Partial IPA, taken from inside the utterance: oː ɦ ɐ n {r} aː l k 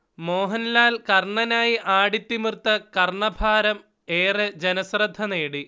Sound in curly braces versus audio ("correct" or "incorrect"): incorrect